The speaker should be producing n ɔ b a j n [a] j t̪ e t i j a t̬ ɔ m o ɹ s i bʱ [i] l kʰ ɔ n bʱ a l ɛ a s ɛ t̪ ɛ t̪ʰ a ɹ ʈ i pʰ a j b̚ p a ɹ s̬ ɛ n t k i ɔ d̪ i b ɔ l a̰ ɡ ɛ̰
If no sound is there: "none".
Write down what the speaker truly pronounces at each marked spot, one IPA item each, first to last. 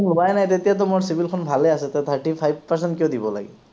a, i

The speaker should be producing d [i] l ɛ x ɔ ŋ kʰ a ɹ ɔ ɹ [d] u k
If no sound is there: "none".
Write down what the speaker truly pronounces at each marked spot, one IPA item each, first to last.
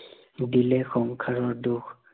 i, d

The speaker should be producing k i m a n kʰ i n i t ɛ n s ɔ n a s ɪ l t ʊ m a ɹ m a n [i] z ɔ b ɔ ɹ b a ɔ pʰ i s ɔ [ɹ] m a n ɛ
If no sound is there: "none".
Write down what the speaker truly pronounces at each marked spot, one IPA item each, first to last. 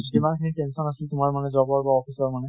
ɛ, ɹ

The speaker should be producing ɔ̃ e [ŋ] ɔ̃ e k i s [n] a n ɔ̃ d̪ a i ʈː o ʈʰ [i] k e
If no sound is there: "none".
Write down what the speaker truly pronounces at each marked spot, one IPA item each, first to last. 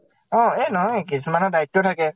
n, m, a

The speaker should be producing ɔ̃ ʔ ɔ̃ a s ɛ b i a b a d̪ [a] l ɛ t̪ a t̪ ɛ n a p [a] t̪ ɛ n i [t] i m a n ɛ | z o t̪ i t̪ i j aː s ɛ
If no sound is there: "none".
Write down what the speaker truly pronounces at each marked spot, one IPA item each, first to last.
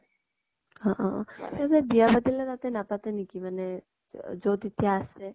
i, a, k

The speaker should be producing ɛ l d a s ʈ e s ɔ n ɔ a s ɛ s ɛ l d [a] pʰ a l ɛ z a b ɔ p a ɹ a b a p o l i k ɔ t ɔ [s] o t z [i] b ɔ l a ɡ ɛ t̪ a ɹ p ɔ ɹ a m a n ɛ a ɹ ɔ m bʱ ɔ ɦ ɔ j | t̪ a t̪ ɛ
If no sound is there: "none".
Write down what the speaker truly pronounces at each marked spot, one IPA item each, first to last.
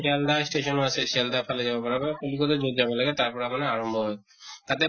a, z, a

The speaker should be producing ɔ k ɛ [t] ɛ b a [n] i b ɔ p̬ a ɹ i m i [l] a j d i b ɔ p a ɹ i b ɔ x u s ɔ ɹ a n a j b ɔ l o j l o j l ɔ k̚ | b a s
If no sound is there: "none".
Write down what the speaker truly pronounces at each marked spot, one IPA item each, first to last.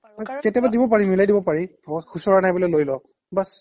t, d, l

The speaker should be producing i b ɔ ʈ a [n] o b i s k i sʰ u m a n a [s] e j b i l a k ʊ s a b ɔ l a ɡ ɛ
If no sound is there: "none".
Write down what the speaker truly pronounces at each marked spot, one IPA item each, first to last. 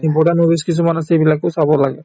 n, s

